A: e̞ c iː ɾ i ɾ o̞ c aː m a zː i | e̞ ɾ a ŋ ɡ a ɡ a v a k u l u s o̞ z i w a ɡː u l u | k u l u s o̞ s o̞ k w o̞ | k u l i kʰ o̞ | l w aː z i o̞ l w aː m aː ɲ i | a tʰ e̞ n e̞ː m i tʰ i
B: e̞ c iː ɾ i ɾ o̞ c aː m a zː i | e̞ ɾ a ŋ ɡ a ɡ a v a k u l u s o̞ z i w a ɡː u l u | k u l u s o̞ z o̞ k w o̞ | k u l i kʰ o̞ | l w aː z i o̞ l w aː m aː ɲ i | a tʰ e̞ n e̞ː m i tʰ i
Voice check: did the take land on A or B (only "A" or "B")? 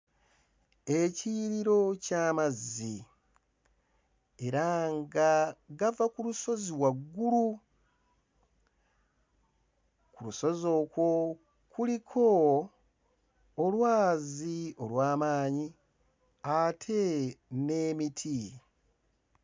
B